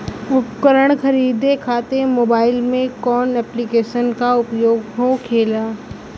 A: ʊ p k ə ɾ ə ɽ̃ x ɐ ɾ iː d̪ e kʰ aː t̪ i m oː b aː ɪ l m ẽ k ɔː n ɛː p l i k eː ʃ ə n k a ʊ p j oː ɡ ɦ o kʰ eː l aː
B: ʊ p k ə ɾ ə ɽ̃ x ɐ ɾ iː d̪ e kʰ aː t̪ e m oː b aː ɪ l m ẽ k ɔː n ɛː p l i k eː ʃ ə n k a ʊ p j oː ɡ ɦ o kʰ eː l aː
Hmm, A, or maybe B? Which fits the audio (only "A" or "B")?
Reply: B